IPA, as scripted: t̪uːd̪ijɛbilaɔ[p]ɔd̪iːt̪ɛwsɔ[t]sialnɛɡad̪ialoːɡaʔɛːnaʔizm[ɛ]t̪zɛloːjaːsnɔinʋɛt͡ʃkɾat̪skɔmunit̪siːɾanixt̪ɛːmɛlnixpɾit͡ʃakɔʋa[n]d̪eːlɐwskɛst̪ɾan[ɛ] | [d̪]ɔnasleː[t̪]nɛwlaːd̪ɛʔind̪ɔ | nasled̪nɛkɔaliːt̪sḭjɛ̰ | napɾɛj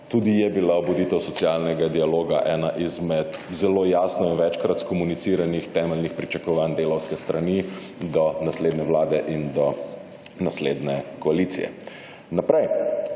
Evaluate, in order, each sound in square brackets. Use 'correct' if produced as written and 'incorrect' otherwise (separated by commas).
incorrect, correct, correct, correct, incorrect, correct, incorrect